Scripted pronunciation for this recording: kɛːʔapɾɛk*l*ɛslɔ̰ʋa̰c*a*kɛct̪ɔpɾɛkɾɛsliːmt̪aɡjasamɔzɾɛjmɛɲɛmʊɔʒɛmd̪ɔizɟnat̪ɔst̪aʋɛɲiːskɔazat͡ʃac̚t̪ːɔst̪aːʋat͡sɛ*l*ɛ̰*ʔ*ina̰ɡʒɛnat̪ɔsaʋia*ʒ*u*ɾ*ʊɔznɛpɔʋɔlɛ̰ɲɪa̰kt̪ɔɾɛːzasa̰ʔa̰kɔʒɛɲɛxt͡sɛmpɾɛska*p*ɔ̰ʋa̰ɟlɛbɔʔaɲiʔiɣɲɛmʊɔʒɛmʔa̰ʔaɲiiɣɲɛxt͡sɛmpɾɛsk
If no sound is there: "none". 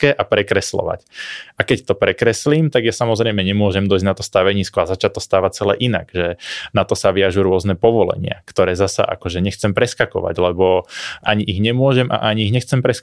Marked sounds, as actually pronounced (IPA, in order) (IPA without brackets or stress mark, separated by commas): ɾ, a, l, ʔ, ʒ, ɾ, k